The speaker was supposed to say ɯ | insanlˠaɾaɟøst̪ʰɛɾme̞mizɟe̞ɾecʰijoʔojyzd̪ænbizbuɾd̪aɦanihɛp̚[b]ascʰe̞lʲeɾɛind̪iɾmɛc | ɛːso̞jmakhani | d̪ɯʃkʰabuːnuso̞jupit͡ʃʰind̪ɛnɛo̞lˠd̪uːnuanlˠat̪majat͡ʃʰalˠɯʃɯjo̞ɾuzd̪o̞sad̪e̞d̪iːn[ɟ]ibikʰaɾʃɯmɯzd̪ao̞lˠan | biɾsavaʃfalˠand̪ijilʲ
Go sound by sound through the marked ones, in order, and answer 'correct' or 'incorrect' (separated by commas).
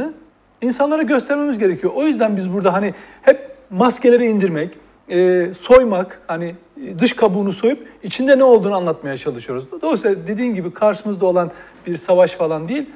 incorrect, correct